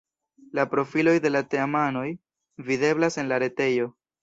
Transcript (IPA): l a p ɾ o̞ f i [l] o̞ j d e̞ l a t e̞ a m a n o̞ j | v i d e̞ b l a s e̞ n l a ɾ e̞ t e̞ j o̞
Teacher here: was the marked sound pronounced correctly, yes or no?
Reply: yes